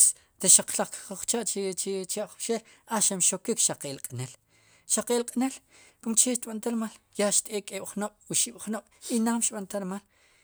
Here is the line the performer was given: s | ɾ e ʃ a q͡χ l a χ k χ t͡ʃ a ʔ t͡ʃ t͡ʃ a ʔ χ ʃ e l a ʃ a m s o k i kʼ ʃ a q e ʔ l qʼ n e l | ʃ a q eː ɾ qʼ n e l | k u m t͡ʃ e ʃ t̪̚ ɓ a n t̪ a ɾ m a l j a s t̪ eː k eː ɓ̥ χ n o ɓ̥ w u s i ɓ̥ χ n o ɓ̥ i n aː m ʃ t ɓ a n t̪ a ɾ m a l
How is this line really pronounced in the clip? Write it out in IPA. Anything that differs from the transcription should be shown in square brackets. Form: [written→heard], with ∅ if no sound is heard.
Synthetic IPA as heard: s | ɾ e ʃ a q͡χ l a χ k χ t͡ʃ a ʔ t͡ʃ t͡ʃ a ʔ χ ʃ e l a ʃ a m [s→ʃ] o k i [kʼ→k] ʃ a q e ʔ l qʼ n e l | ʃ a q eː [ɾ→l] qʼ n e l | k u m t͡ʃ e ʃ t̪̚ ɓ a n t̪ a ɾ m a l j a [s→ʃ] t̪ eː [k→kʼ] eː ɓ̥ χ n o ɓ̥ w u [s→ʃ] i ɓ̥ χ n o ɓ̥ i n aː m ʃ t ɓ a n t̪ a ɾ m a l

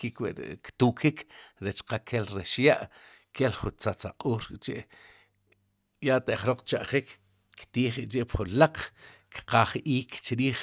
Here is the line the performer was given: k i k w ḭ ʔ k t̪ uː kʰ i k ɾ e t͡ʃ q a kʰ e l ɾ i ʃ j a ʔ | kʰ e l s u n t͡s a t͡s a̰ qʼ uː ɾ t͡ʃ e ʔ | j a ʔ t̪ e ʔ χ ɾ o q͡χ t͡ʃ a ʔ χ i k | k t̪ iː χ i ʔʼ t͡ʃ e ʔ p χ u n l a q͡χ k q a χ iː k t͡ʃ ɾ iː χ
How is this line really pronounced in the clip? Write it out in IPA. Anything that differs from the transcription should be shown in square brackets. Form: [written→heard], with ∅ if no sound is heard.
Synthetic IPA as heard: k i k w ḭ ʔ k t̪ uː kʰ i k ɾ e t͡ʃ q a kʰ e l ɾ [i→e] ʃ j a ʔ | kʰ e l [s→χ] u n t͡s a t͡s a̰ qʼ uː ɾ t͡ʃ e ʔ | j a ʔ t̪ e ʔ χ ɾ o q͡χ t͡ʃ a ʔ χ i k | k t̪ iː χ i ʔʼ t͡ʃ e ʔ p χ u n l a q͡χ k q a χ iː k t͡ʃ ɾ iː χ

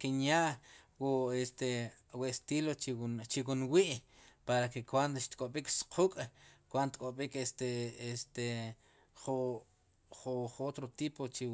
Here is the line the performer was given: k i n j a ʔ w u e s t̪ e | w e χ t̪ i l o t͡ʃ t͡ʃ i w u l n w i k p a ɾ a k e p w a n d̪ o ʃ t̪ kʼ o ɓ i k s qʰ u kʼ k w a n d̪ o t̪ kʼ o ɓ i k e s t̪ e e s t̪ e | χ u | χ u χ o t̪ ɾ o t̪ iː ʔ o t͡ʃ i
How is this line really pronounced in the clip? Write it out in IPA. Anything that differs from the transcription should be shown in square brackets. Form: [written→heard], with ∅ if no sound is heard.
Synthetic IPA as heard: k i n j a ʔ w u e s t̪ e | w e [χ→s] t̪ i l o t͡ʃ t͡ʃ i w u [l→∅] n w i [k→ʔ] p a ɾ a k e [p→k] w a n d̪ o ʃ t̪ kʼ o ɓ i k s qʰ u kʼ k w a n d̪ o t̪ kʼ o ɓ i k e s t̪ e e s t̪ e | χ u | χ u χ o t̪ ɾ o t̪ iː [ʔ→p] o t͡ʃ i

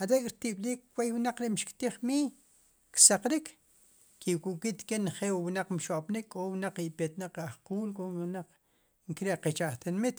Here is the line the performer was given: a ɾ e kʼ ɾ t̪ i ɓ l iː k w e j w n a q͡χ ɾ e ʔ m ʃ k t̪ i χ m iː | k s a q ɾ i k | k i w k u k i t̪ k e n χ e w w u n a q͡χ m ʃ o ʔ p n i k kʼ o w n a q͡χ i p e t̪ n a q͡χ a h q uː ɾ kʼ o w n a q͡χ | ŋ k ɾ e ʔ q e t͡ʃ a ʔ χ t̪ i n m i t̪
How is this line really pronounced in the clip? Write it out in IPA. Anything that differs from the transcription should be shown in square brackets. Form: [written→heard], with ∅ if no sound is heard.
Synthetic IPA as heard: a ɾ e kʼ ɾ t̪ i ɓ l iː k w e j w n a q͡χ ɾ e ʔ m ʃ k t̪ i χ m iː | k s a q ɾ i k | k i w k u k i t̪ k e n χ e w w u n a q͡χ m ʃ o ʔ p n i k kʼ o w n a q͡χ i p e t̪ n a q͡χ a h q uː [ɾ→l] kʼ o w n a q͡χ | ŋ k ɾ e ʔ q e t͡ʃ a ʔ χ t̪ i n m i t̪

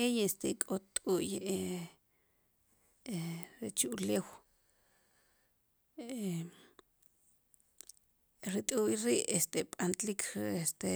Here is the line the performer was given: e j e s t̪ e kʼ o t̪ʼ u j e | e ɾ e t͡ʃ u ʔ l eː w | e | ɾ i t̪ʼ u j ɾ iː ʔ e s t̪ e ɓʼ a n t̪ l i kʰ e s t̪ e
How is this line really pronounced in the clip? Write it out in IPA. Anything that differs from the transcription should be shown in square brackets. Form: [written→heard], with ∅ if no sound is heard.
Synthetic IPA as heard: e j e s t̪ e kʼ o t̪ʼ u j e | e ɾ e t͡ʃ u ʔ l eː w | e | ɾ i t̪ʼ u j ɾ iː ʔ e s t̪ e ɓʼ a n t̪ l i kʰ e s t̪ e

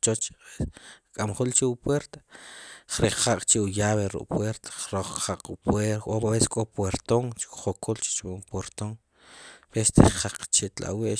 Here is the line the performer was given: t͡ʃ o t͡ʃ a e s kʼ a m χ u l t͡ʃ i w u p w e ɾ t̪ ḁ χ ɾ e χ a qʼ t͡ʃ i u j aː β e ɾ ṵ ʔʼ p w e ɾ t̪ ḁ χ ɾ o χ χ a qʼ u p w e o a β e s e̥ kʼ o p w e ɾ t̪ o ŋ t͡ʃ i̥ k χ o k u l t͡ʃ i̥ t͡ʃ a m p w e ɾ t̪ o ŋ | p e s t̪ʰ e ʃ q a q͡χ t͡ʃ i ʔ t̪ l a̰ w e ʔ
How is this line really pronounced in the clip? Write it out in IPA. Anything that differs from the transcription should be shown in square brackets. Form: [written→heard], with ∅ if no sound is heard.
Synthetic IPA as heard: t͡ʃ o t͡ʃ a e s kʼ a m χ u l t͡ʃ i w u p w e ɾ t̪ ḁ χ ɾ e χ a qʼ t͡ʃ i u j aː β e ɾ ṵ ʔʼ p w e ɾ t̪ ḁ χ ɾ o χ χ a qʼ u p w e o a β e s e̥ kʼ o p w e ɾ t̪ o ŋ t͡ʃ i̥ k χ o k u l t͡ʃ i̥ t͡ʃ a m p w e ɾ t̪ o ŋ | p e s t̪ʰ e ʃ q a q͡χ t͡ʃ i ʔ t̪ l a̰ w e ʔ

